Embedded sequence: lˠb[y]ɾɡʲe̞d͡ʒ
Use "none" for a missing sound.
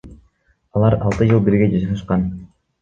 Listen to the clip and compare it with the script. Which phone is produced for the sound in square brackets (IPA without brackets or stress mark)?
i